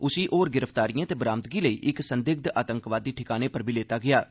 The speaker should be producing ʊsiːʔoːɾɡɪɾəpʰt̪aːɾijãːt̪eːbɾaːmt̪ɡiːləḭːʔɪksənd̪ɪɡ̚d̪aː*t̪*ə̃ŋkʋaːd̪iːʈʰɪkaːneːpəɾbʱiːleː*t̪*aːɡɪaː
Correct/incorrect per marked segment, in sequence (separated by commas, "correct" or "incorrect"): correct, correct